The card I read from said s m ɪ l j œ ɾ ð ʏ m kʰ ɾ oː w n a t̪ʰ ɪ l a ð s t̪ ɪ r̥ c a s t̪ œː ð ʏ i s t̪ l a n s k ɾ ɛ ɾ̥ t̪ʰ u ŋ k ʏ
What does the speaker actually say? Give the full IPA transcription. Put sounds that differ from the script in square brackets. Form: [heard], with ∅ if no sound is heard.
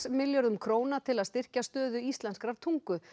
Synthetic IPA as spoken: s m ɪ l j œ ɾ ð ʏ m kʰ ɾ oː w n a t̪ʰ ɪ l a ð s t̪ ɪ r̥ c a s t̪ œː ð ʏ i s t̪ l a n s k ɾ [a] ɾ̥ t̪ʰ u ŋ k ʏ